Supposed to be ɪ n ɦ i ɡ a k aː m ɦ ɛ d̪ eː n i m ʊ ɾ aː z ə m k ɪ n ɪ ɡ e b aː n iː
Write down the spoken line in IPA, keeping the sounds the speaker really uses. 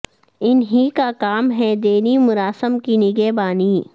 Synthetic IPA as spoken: ɪ n ɦ i k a k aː m ɦ ɛ d̪ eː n i m ʊ ɾ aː s ə m k i n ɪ ɡ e b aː n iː